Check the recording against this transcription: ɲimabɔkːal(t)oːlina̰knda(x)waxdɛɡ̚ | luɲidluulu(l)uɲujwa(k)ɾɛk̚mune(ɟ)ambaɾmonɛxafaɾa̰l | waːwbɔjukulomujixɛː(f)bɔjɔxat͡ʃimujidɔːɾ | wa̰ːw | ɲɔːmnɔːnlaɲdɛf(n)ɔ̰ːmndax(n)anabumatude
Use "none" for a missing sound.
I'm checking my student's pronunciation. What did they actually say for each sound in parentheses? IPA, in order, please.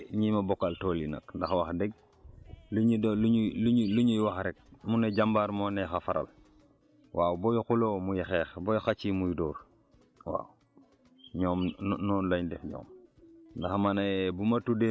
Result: t, x, l, x, ɟ, x, ɲ, m

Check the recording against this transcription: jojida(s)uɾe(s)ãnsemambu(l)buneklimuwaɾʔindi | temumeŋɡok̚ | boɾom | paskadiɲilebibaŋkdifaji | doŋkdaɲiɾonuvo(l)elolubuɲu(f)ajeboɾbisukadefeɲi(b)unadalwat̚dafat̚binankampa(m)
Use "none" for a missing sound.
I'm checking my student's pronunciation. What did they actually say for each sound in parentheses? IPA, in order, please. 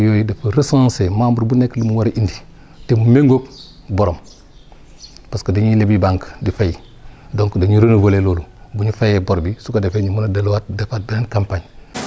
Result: f, s, ɾ, l, f, m, ɲ

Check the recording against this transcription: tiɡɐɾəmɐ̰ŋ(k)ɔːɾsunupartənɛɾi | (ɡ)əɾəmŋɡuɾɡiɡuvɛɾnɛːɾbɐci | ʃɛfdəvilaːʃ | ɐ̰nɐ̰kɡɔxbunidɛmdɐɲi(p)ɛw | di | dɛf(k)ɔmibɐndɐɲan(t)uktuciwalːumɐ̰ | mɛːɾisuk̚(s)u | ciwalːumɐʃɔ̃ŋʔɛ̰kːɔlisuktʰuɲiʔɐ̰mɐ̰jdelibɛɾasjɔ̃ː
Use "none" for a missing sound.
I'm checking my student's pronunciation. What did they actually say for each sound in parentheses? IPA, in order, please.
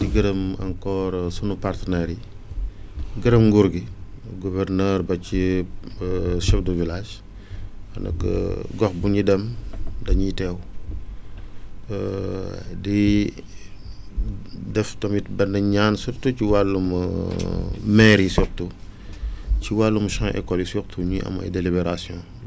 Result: k, ɡ, t, t, s, t

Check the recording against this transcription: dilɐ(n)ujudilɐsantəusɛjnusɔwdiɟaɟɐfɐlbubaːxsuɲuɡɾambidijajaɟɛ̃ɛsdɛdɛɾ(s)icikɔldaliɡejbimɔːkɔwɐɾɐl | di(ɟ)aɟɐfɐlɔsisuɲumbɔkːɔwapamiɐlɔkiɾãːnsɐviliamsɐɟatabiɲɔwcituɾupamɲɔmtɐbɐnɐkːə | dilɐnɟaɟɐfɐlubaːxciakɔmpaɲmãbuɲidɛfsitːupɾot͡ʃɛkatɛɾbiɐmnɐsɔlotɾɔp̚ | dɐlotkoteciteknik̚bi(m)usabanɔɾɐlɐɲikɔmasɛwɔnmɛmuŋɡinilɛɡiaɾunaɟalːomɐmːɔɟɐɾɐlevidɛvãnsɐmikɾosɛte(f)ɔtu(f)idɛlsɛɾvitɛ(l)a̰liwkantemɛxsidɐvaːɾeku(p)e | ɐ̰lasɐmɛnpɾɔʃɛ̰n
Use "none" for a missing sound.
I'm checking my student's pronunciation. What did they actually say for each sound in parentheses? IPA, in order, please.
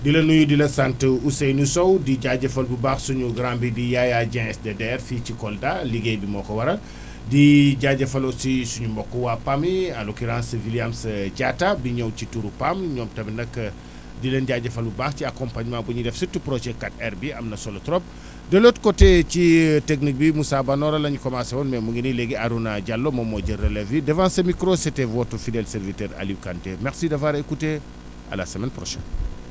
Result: n, f, ɟ, m, v, f, ɾ, t

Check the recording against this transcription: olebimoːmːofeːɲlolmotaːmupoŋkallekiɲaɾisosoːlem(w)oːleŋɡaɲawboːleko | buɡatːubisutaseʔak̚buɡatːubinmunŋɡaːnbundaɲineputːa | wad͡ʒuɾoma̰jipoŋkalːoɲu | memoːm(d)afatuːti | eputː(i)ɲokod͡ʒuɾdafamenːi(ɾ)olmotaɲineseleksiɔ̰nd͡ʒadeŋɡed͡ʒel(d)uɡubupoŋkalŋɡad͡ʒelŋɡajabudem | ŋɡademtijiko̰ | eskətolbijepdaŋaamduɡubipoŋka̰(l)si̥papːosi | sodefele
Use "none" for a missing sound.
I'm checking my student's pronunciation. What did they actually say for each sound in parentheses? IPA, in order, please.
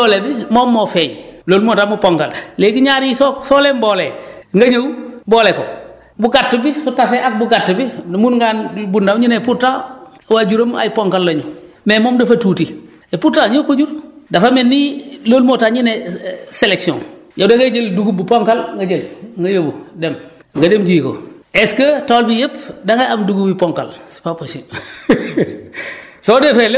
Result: b, d, a, l, d, l

